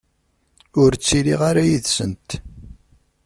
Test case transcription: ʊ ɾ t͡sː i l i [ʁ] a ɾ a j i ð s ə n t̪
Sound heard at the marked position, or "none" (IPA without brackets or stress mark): ʁ